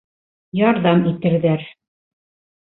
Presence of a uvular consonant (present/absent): absent